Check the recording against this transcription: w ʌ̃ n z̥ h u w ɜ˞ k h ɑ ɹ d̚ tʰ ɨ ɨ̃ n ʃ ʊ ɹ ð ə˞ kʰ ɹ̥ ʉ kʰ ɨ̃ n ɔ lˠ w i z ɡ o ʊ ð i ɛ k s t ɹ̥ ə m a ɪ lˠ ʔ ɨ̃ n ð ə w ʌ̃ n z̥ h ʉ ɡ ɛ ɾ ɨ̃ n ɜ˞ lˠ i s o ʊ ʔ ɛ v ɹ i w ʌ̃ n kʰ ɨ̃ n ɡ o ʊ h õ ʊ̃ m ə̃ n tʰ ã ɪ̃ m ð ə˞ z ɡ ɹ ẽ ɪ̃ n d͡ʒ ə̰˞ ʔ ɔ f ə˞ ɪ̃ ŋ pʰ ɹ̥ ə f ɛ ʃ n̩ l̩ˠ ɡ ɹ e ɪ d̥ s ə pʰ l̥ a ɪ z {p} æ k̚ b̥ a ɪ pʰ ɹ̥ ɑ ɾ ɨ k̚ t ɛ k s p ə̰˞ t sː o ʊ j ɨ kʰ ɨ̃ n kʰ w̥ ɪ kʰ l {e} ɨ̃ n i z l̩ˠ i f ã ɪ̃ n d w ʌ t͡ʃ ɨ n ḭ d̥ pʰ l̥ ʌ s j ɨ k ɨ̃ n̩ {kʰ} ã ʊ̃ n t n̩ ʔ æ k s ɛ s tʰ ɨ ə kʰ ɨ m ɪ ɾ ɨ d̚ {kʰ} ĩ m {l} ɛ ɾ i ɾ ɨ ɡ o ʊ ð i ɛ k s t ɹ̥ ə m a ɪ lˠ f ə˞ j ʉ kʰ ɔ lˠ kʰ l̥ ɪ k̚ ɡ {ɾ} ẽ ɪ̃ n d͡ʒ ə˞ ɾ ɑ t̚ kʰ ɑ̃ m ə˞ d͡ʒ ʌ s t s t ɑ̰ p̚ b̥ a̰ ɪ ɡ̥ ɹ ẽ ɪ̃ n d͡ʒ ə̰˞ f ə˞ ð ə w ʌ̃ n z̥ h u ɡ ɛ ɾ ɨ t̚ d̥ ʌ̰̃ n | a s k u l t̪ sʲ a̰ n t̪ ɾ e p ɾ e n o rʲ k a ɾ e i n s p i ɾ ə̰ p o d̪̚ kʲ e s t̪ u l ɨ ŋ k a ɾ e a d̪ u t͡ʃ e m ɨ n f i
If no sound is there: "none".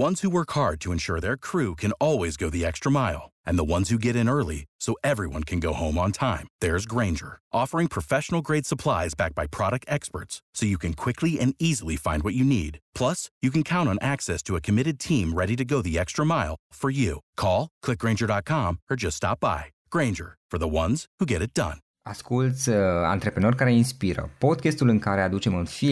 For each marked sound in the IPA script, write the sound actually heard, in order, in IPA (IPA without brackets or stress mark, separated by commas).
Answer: b, i, kʰ, tʰ, ɹ, ɹ